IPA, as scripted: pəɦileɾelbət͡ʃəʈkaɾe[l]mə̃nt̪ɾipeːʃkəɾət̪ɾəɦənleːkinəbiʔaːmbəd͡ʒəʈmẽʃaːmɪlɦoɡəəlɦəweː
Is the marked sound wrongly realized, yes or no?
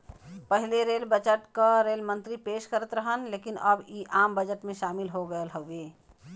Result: no